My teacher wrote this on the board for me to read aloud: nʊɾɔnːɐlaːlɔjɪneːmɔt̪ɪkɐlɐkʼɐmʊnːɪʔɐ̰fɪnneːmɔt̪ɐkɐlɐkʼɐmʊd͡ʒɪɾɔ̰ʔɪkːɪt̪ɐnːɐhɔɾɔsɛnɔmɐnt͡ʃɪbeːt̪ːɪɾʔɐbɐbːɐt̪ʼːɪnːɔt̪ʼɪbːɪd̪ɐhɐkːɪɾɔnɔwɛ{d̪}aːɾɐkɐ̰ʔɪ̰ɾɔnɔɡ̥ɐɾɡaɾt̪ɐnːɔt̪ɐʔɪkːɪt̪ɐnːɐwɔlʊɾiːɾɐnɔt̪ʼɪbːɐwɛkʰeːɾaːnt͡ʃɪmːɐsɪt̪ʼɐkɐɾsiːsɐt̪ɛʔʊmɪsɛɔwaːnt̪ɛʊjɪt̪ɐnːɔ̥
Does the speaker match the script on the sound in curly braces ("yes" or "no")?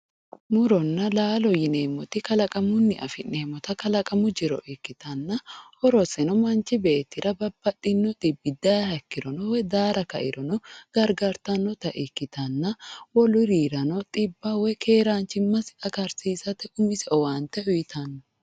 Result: yes